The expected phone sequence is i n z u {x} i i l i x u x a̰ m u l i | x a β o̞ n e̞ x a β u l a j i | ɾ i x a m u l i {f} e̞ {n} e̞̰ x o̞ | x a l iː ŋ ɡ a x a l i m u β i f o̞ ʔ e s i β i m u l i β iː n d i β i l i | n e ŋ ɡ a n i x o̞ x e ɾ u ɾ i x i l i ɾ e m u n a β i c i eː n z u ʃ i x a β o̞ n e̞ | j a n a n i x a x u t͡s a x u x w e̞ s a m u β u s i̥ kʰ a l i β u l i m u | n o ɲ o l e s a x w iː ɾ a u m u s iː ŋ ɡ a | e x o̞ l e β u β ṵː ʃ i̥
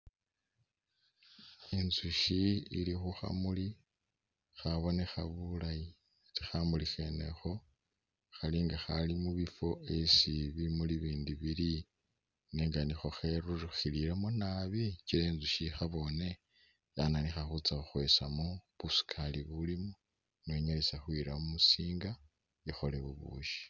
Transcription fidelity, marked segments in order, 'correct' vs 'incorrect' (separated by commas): incorrect, incorrect, correct